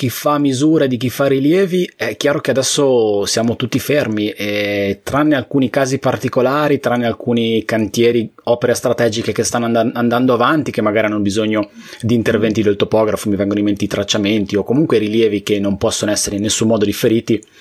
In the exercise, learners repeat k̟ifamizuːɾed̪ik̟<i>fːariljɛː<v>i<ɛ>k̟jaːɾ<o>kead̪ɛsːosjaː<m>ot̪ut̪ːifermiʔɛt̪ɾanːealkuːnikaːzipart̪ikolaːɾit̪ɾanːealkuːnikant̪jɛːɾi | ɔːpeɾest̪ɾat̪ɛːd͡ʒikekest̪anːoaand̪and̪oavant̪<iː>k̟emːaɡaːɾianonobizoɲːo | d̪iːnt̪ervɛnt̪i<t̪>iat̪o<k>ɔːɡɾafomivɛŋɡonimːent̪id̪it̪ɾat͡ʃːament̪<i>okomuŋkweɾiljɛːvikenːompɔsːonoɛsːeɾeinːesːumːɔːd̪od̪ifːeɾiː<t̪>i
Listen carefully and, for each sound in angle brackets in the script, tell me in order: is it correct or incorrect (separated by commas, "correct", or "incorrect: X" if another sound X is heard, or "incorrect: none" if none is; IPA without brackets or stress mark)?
correct, correct, correct, correct, correct, incorrect: i, incorrect: d̪, incorrect: p, correct, correct